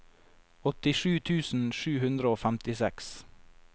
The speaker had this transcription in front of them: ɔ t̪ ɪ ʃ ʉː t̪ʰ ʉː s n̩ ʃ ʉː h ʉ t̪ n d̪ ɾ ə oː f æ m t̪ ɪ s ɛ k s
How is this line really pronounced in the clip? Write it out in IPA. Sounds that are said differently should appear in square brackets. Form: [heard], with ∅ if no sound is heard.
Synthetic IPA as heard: ɔ t̪ ɪ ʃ ʉː t̪ʰ ʉː s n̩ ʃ ʉː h ʉ [∅] n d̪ ɾ ə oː f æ m t̪ ɪ s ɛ k s

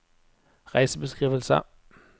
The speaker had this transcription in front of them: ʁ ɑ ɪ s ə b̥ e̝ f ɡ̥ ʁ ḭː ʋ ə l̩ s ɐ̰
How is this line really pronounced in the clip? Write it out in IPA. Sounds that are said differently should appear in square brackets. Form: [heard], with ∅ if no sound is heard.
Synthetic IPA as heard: ʁ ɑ ɪ s ə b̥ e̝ [s] ɡ̥ ʁ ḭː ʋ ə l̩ s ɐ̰

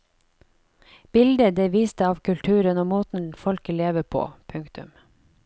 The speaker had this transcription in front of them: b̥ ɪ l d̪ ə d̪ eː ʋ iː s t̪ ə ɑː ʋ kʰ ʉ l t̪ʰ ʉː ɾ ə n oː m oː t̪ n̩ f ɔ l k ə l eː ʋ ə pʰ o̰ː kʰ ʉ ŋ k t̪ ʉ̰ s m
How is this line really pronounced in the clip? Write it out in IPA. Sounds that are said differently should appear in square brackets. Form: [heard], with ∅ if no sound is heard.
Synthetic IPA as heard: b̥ ɪ l d̪ ə d̪ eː ʋ iː s t̪ ə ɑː ʋ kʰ ʉ l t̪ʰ ʉː ɾ ə n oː m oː t̪ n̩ f ɔ l k ə l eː ʋ ə pʰ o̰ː [pʰ] ʉ ŋ k t̪ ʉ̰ [∅] m

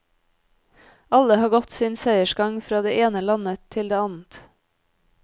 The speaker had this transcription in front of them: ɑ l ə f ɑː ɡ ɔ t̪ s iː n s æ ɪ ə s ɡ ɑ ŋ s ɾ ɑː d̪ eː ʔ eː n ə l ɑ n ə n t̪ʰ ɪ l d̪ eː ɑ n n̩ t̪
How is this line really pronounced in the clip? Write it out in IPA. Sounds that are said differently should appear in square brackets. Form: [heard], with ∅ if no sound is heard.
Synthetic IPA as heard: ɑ l ə [h] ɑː ɡ ɔ t̪ s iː n s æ ɪ ə [ʃ] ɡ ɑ ŋ [f] ɾ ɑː d̪ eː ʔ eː n ə l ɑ n ə [∅] t̪ʰ ɪ l d̪ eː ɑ n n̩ t̪

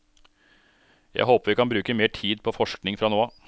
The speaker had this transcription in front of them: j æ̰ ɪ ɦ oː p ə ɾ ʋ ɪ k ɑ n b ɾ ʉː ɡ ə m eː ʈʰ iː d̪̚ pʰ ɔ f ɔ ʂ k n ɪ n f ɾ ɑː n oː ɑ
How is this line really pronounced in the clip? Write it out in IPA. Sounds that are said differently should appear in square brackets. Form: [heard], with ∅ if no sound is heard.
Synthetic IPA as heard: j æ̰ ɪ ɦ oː p ə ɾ ʋ ɪ k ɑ n b ɾ ʉː [k] ə m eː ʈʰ iː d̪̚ pʰ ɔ f ɔ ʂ k n ɪ [ŋ] f ɾ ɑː n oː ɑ

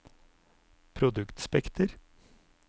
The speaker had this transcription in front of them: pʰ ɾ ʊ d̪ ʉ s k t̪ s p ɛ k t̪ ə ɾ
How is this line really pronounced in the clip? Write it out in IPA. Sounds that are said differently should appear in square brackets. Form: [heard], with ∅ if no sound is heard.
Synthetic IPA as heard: pʰ ɾ ʊ d̪ ʉ [∅] k t̪ s p ɛ k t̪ ə ɾ

